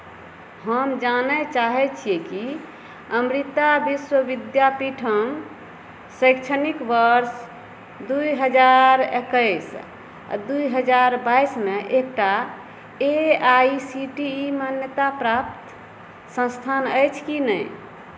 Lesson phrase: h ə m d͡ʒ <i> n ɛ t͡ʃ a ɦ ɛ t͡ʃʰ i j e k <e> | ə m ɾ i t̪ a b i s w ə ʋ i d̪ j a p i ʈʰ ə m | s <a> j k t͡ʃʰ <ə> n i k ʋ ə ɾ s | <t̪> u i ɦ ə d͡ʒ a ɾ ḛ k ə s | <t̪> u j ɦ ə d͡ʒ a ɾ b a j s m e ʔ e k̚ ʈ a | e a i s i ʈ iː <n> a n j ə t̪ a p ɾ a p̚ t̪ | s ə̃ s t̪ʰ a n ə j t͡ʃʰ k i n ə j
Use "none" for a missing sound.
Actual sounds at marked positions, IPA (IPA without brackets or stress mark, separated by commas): a, i, ə, ə, d̪, d̪, m